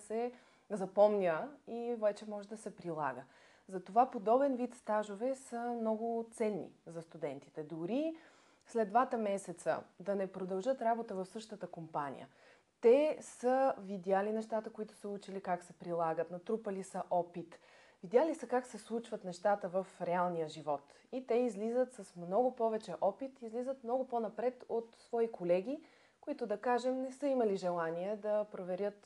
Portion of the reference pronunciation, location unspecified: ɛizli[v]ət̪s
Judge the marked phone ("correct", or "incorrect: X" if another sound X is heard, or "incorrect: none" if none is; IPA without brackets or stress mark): incorrect: z